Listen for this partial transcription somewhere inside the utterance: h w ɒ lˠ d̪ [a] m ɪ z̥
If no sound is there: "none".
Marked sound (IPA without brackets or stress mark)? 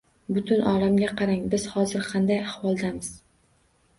a